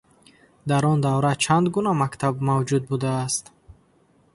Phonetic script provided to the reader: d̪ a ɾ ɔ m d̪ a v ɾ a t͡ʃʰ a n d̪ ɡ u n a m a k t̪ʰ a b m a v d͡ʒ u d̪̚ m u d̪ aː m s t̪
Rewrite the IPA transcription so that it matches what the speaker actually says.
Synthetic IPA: d̪ a ɾ ɔ n d̪ a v ɾ a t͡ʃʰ a n d̪ ɡ u n a m a k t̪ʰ a b m a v d͡ʒ u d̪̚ b u d̪ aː s t̪